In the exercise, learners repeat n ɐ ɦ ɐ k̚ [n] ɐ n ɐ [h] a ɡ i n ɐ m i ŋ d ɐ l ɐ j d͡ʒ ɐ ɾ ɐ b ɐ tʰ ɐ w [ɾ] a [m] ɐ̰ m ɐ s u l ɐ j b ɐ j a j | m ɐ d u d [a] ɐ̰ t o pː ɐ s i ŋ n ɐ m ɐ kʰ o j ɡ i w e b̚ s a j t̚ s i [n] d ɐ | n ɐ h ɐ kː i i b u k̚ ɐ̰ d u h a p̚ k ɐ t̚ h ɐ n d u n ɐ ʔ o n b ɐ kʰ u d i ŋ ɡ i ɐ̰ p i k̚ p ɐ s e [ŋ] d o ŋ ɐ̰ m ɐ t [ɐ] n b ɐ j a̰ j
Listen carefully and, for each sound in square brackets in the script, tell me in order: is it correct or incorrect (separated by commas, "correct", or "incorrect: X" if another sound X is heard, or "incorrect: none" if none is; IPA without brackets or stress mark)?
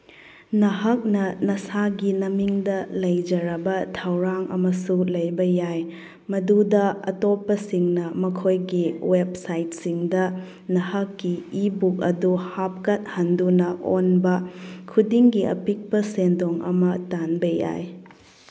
correct, incorrect: s, correct, incorrect: ŋ, incorrect: ɐ, incorrect: ŋ, incorrect: n, incorrect: a